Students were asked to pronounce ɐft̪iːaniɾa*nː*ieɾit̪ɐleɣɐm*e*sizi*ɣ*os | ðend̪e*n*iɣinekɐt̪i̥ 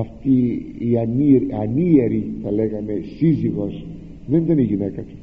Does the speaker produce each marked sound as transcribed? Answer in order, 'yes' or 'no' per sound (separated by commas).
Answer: no, yes, yes, yes